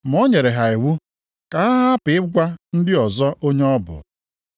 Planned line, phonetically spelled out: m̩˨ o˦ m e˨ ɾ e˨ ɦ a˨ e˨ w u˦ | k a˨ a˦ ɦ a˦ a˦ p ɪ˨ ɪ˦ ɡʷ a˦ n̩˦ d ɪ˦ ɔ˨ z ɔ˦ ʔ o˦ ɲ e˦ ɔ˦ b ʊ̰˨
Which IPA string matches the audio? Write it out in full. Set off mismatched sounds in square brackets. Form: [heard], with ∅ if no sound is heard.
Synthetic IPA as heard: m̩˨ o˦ [ɲ] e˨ ɾ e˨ ɦ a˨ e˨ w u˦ | k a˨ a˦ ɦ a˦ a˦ p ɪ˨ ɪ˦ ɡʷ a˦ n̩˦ d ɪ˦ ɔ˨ z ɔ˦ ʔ o˦ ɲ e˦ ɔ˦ b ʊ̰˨